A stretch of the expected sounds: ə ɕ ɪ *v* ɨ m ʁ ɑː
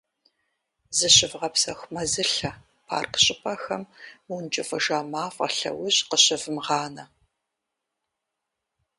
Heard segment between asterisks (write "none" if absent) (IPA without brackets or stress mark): v